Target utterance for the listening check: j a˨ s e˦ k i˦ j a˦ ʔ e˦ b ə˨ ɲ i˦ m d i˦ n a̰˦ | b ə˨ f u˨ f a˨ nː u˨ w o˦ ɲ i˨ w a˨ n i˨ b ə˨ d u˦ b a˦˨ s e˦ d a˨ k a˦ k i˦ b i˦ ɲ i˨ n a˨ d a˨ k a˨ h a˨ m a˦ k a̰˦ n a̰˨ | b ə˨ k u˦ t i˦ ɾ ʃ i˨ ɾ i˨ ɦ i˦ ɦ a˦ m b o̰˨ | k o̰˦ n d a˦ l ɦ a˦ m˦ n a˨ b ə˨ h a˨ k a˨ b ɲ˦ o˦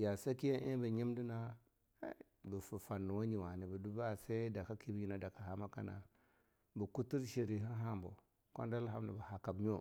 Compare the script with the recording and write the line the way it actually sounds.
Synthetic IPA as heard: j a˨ s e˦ k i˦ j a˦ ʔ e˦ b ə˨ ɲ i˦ m d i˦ n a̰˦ | b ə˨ f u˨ f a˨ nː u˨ w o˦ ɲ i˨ w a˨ n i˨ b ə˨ d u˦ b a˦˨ s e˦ d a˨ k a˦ k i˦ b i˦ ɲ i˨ n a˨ d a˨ k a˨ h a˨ m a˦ k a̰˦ n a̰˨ | b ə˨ k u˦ t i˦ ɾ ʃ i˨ ɾ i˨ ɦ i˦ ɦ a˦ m b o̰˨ | k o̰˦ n d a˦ l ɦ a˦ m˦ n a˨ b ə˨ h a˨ k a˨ b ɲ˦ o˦